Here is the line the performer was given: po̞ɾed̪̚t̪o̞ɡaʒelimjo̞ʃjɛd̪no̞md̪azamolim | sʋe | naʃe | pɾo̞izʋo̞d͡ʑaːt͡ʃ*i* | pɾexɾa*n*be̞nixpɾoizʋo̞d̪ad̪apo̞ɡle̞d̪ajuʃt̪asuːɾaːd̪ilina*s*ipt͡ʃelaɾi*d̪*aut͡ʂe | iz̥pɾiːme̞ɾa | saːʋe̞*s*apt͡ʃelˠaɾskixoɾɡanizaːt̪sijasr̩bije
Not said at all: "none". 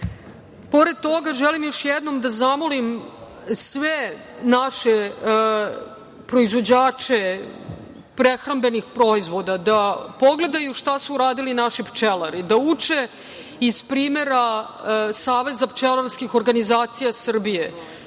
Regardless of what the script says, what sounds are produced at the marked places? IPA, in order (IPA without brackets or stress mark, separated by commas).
e, m, ʃ, d̪, z